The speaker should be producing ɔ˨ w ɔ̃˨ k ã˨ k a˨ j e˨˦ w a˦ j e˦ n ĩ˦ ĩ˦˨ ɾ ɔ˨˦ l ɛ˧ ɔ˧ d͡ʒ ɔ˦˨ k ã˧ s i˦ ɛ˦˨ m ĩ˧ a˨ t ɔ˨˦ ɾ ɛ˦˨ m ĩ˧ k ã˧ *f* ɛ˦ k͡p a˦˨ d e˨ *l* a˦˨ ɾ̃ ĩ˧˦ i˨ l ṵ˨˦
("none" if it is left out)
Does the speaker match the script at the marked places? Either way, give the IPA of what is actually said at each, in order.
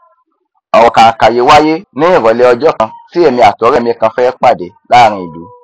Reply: f, l

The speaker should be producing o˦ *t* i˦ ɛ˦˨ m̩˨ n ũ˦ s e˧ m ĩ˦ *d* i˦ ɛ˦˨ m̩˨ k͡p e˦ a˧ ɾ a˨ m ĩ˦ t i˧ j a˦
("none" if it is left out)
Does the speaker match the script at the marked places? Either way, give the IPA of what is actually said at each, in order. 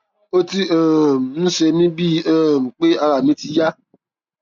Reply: t, b

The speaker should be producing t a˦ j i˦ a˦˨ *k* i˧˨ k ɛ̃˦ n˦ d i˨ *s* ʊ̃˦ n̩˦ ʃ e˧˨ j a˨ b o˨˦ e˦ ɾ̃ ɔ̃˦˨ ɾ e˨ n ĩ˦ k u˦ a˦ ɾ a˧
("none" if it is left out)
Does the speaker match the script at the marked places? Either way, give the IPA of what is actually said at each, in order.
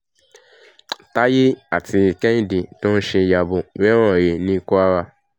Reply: t, t

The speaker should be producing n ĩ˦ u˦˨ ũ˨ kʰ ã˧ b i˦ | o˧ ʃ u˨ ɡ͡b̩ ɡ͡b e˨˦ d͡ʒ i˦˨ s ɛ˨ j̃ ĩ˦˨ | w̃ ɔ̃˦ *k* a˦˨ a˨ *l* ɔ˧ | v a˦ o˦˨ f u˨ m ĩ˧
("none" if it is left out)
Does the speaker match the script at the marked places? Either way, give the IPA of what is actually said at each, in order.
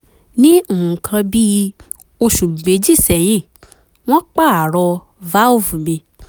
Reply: k͡p, ɾ

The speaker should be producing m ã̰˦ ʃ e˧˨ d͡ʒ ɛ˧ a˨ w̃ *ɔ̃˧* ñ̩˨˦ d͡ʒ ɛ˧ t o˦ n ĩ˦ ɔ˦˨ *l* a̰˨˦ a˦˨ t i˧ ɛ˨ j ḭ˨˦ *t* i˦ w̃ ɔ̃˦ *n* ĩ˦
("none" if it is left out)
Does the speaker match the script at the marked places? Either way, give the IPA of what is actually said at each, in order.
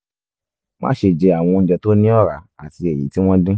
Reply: ɔ̃˧, ɾ, t, d

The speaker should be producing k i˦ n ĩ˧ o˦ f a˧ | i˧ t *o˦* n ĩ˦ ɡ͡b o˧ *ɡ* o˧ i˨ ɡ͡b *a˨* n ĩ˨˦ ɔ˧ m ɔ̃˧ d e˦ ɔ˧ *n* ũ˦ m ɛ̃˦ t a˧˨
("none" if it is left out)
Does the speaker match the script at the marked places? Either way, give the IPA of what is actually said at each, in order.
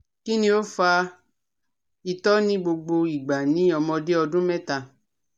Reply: ɔ˦, ɡ͡b, a˨, d

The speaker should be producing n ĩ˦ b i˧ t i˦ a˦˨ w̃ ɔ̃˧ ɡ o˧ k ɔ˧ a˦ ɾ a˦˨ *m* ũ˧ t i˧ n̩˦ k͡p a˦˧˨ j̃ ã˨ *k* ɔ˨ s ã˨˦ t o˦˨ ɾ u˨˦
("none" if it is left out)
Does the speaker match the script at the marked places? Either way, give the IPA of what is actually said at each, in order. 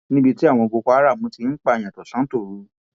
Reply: m, t

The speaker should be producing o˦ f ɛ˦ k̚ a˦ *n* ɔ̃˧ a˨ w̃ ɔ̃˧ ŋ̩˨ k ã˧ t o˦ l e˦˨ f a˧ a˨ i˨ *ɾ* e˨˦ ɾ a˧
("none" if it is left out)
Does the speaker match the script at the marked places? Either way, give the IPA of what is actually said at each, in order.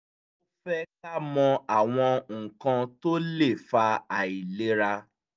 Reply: m, l

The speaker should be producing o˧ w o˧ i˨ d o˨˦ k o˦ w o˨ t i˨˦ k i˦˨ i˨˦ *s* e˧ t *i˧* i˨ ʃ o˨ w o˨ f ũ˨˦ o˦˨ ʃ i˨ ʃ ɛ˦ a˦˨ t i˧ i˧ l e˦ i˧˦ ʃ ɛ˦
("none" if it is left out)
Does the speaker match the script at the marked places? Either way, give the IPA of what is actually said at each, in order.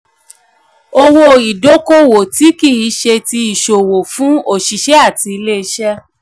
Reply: ʃ, i˧

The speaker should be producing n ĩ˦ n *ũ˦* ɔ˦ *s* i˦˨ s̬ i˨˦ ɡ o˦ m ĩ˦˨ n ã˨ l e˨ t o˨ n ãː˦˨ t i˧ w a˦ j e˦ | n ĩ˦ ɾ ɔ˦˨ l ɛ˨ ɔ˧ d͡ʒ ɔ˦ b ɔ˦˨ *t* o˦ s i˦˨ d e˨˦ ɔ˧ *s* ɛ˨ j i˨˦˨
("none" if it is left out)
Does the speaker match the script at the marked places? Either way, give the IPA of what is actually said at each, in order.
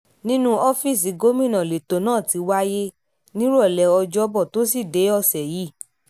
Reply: ũ˦, f, t, s

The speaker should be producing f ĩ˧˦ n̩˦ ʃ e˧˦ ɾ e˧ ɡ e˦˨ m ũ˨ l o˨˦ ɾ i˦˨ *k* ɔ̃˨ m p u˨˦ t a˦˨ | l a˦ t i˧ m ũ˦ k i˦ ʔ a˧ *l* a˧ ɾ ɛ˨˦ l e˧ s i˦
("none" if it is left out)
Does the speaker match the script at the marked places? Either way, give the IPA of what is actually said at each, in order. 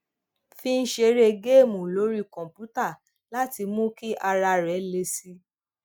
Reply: k, ɾ

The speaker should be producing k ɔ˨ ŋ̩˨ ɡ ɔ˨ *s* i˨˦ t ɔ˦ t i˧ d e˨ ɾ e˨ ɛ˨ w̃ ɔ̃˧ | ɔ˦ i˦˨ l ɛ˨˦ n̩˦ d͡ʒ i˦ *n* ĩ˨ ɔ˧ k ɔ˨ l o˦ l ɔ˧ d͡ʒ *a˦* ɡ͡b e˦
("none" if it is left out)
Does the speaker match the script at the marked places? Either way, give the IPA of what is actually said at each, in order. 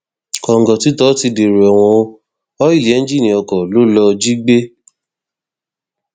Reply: t, n, i˦

